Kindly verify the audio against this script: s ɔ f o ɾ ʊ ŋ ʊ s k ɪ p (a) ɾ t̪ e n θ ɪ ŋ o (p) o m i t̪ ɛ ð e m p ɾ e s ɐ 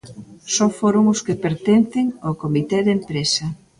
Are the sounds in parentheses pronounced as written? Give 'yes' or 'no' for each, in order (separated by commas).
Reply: no, no